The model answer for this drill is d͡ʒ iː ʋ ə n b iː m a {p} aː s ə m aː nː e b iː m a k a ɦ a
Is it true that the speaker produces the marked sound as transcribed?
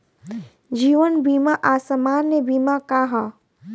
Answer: no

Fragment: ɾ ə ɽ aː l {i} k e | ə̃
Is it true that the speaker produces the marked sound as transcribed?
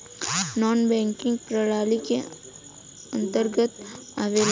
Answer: yes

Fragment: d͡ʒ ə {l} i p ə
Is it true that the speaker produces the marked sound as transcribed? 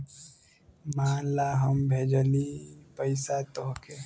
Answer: yes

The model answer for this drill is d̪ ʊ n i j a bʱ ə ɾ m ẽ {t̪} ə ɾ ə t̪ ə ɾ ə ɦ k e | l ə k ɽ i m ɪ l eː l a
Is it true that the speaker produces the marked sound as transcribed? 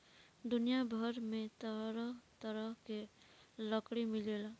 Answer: yes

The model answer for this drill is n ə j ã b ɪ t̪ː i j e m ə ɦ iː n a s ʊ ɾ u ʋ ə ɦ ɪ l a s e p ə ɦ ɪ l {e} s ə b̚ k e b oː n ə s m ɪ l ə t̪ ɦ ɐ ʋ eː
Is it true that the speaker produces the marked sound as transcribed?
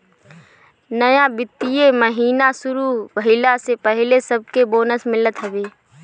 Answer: yes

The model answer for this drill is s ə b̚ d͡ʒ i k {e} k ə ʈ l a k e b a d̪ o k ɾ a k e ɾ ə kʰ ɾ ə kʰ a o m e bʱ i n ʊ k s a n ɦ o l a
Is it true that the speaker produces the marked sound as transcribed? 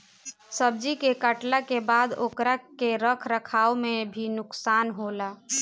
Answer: yes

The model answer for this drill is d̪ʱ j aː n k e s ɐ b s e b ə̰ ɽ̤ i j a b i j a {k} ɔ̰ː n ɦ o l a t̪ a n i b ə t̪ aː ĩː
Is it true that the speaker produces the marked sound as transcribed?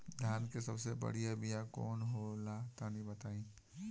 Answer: yes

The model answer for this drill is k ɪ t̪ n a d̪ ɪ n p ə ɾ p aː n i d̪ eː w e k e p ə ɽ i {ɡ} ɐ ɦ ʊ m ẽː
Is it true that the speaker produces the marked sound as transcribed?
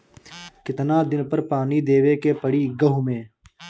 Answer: yes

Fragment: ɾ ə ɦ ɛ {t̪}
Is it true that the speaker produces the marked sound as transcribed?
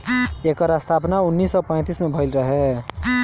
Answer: no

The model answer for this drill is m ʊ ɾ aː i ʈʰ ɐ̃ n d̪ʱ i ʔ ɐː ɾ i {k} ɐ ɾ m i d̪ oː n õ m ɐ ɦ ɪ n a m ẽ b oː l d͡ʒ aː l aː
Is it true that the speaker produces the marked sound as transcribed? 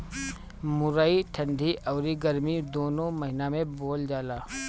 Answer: no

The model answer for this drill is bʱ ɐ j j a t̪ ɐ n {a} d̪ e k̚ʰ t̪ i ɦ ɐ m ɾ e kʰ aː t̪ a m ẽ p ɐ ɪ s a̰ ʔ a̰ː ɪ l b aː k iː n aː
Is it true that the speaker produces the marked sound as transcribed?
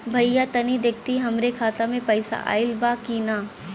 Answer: no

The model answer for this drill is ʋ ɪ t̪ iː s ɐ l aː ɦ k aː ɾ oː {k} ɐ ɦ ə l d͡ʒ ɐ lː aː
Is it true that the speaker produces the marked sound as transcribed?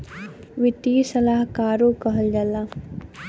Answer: yes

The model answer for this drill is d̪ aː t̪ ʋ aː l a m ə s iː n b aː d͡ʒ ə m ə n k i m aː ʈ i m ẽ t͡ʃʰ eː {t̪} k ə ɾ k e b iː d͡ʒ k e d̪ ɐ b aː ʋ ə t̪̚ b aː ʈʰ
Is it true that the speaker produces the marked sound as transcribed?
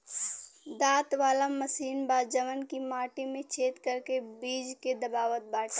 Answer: yes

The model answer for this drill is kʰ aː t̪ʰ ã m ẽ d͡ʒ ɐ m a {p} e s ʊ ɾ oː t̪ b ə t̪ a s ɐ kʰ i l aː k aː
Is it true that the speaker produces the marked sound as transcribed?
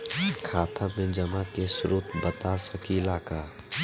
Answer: no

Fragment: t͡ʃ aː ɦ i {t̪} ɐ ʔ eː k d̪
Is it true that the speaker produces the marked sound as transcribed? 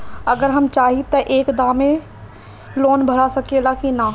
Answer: yes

